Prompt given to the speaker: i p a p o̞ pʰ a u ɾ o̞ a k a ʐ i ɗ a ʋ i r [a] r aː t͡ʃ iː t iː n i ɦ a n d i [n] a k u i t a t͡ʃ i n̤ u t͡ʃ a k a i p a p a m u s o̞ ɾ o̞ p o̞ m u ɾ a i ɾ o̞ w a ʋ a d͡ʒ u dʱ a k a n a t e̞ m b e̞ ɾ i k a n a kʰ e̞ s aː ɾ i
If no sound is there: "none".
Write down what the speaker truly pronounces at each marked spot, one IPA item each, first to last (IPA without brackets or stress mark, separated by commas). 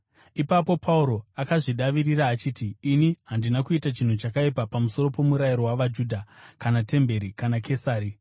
i, n